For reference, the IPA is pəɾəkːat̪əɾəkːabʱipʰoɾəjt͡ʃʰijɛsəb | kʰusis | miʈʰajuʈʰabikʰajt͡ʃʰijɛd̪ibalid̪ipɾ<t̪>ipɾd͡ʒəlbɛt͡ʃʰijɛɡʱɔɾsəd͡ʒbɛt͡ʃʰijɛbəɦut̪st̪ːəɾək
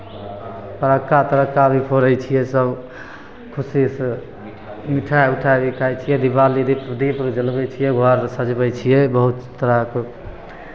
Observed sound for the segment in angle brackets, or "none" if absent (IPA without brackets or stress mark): d̪